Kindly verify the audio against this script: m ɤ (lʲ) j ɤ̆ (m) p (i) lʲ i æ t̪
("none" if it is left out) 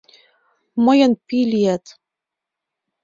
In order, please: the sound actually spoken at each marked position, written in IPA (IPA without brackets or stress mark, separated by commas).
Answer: none, n, i